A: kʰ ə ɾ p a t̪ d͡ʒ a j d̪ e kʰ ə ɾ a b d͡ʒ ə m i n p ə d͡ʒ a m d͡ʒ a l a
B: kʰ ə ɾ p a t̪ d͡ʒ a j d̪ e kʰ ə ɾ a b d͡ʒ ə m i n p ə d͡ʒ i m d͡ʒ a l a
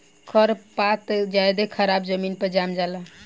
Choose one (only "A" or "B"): A